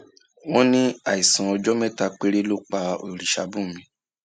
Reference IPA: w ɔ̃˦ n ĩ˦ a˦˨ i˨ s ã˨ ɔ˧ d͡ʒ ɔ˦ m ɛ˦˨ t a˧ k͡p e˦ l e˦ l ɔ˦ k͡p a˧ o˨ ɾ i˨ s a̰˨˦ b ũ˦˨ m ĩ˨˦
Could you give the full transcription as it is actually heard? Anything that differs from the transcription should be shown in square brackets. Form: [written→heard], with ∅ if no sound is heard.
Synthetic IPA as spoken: w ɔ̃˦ n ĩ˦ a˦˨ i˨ s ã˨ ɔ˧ d͡ʒ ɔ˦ m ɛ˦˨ t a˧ k͡p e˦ [l→ɾ] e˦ l [ɔ˦→o˦] k͡p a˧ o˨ ɾ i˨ [s→ʃ] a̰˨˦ b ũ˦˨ m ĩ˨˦